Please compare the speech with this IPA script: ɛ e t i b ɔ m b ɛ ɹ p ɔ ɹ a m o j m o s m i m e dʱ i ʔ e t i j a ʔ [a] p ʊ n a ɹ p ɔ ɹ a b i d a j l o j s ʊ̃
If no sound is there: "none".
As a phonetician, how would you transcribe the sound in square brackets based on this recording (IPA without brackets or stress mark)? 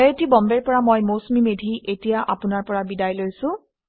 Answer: a